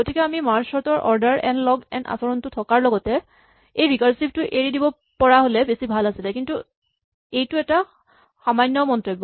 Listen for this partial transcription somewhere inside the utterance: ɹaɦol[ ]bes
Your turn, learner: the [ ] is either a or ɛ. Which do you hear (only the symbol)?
ɛ